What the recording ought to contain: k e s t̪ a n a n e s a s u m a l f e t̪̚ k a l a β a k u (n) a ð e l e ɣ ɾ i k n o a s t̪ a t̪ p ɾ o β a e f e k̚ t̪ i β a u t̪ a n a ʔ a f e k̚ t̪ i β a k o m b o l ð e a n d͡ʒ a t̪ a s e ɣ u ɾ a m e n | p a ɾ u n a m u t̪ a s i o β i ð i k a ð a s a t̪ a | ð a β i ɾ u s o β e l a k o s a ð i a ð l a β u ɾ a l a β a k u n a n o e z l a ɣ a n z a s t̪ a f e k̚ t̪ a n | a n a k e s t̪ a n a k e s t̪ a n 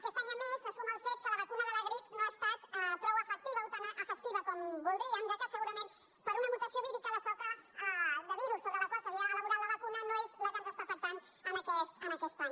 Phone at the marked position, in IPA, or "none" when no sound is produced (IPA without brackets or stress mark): n